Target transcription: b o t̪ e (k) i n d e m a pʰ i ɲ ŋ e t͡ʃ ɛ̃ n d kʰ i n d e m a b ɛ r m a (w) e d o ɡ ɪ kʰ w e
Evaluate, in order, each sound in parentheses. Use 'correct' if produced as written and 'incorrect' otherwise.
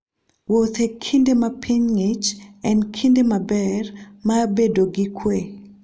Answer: incorrect: kʰ, incorrect: b

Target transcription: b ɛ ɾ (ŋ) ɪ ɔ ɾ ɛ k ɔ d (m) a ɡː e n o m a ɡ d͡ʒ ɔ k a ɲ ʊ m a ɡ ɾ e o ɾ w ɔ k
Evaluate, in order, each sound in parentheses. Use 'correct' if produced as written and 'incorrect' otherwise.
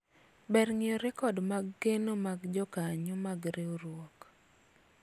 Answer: correct, correct

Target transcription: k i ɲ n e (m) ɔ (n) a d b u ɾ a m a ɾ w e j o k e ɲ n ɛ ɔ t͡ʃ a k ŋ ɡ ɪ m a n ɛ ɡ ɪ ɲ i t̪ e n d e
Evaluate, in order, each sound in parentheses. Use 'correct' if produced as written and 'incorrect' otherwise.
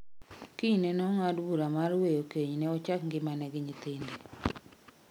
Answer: incorrect: n, incorrect: ŋ

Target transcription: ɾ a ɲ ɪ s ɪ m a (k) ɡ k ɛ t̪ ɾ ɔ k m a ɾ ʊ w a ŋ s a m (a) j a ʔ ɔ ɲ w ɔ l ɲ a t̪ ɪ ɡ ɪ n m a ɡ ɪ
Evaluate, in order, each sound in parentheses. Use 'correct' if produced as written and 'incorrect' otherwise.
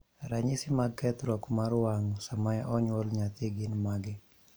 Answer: incorrect: none, correct

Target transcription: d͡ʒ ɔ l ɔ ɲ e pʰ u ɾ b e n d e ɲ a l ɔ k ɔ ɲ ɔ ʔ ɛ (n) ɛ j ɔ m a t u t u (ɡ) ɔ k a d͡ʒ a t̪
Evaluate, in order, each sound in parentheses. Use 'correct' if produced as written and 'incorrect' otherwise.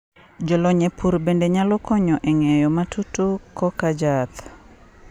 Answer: incorrect: ŋ, incorrect: k

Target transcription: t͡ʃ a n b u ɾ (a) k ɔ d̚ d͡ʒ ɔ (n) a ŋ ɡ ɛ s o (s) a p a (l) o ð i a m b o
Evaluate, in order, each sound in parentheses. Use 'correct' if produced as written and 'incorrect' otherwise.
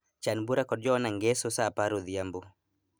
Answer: correct, correct, correct, incorrect: ɾ

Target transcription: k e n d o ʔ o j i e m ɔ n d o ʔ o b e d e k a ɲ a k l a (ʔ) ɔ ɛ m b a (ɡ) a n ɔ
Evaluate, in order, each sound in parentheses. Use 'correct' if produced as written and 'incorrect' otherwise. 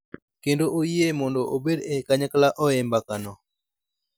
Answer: correct, incorrect: k

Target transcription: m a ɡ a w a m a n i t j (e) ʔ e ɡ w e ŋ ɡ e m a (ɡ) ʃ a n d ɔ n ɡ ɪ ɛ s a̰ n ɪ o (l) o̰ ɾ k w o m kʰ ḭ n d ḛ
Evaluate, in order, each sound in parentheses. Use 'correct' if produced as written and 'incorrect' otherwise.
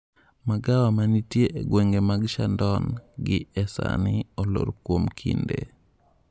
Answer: correct, correct, correct

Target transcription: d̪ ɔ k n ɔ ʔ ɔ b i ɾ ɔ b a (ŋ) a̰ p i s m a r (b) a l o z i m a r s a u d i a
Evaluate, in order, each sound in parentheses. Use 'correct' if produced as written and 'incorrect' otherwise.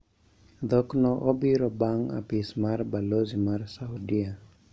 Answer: correct, correct

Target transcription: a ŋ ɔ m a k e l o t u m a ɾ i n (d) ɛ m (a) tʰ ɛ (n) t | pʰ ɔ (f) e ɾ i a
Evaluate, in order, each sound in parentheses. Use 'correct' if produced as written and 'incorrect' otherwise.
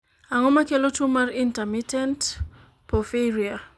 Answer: incorrect: t, incorrect: i, correct, correct

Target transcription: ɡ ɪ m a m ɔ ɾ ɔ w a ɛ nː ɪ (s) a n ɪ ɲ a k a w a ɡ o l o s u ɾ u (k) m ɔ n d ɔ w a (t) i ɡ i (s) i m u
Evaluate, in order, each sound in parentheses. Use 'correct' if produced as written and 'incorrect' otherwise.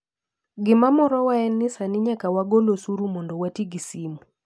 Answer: correct, incorrect: none, correct, correct

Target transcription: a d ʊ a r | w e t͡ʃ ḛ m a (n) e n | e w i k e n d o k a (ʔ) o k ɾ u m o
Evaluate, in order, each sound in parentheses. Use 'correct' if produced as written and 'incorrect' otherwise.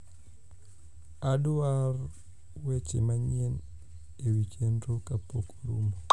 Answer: incorrect: ɲ, incorrect: p

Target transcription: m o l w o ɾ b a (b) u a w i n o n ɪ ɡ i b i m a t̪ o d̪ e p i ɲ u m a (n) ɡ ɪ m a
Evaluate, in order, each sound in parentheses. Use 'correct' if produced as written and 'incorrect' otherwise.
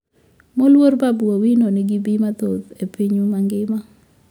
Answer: correct, incorrect: ŋ

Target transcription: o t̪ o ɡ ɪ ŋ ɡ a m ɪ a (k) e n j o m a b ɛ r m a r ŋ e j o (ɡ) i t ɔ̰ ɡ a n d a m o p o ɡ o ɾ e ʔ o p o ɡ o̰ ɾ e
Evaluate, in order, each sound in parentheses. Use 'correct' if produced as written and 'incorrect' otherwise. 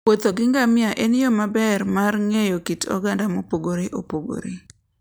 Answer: incorrect: ʔ, incorrect: k

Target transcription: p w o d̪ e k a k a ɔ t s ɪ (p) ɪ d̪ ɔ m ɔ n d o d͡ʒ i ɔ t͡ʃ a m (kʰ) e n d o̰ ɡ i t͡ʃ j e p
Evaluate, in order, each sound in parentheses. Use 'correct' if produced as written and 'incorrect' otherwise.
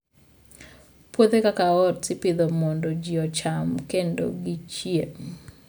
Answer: correct, incorrect: k

